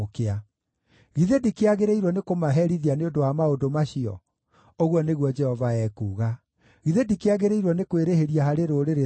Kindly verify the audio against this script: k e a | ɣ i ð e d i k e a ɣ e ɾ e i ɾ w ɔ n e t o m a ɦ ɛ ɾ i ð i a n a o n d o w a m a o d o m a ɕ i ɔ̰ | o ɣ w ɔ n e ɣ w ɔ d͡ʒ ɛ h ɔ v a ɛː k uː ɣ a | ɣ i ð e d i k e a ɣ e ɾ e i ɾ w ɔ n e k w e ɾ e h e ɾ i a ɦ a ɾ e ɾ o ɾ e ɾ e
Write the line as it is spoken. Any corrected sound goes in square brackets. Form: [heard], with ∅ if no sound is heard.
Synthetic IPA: k e a | ɣ i ð e d i k e a ɣ e ɾ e i ɾ w ɔ n e [k] o m a ɦ ɛ ɾ i ð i a n [e] o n d o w a m a o d o m a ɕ i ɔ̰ | o ɣ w ɔ n e ɣ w ɔ d͡ʒ ɛ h ɔ v a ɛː k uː ɣ a | ɣ i ð e d i k e a ɣ e ɾ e i ɾ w ɔ n e k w e ɾ e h e ɾ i a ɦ a ɾ e ɾ o ɾ e ɾ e